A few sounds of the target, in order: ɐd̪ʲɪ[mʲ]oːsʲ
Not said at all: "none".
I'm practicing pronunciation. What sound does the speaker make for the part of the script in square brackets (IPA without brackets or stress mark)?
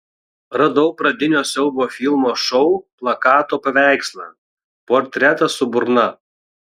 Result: nʲ